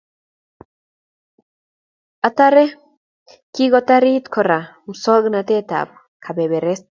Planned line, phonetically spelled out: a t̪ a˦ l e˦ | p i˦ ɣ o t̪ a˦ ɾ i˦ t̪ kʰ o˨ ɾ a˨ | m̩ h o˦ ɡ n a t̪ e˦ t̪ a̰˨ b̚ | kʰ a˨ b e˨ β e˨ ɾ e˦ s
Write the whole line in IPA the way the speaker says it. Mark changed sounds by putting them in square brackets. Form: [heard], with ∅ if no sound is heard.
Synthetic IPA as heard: a t̪ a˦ [ɾ] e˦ | [k] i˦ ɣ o t̪ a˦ ɾ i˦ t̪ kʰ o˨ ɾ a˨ | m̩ [s] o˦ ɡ n a t̪ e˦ t̪ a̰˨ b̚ | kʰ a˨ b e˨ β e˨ ɾ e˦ s